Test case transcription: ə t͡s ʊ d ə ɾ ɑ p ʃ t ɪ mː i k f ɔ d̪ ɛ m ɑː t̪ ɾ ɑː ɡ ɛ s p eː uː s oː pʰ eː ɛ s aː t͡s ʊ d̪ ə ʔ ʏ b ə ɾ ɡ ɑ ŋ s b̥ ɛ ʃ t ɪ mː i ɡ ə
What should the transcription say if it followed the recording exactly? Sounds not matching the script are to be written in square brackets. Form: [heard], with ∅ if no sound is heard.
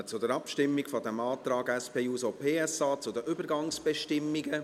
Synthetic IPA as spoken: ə t͡s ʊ d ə ɾ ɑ p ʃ t ɪ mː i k f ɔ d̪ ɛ m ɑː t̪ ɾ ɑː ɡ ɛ s p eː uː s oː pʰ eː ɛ s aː t͡s ʊ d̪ ə ʔ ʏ b ə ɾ ɡ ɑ ŋ s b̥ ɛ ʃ t ɪ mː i ɡ ə